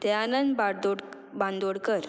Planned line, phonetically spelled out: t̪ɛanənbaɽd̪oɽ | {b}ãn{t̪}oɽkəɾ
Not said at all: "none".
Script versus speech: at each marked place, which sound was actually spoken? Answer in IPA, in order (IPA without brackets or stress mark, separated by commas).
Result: b, d̪